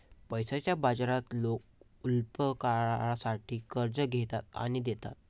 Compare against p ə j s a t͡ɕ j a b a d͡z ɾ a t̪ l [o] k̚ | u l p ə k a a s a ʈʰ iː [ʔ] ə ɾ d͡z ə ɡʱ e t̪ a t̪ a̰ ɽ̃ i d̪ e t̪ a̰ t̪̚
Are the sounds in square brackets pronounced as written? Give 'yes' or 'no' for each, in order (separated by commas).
yes, no